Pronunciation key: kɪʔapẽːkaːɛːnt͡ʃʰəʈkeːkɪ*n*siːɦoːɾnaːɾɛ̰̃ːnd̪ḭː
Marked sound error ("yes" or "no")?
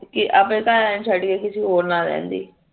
yes